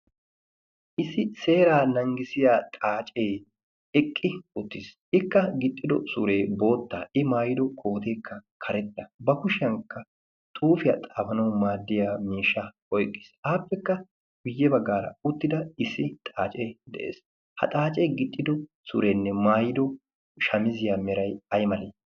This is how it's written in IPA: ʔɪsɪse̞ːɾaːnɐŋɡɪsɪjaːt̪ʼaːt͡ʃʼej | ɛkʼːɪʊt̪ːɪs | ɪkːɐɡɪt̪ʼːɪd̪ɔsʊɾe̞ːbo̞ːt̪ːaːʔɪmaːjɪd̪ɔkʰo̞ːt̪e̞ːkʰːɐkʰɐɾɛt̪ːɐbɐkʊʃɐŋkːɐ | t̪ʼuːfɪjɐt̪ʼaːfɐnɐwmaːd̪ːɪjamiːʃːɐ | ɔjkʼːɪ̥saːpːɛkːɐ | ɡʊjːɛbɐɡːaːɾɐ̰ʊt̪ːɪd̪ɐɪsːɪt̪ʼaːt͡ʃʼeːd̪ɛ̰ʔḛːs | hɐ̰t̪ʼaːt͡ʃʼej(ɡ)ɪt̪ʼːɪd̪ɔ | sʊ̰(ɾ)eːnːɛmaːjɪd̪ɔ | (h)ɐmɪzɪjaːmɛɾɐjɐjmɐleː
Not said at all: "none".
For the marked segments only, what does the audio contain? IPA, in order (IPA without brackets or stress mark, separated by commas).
ɡ, ɾ, ʃ